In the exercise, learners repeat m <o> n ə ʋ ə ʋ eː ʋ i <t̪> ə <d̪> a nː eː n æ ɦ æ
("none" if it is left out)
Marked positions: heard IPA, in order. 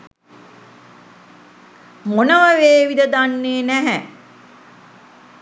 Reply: o, d̪, d̪

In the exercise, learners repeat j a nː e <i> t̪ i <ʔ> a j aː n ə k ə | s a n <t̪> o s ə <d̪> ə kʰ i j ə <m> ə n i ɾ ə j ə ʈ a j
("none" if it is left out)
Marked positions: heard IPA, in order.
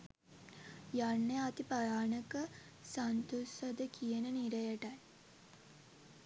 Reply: a, p, t̪, d̪, n

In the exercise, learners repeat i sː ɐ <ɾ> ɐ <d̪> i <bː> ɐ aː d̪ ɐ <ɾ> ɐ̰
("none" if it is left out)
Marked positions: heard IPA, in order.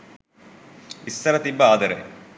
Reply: ɾ, t̪, bː, ɾ

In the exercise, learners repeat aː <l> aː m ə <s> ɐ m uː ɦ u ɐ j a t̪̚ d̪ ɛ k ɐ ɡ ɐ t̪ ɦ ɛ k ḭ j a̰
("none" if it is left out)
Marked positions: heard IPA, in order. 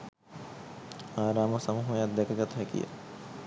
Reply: ɾ, s

